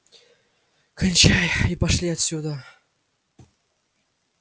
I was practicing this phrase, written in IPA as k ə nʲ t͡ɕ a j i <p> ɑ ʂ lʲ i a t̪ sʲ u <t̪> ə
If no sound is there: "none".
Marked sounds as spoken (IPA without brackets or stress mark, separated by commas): p, d̪